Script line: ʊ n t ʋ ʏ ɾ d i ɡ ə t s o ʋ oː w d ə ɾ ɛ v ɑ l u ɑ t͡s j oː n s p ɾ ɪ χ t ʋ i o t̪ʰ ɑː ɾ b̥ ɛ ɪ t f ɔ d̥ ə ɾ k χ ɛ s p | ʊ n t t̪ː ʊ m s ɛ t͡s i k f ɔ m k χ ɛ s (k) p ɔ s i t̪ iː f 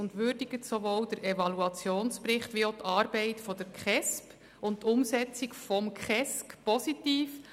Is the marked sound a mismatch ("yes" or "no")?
no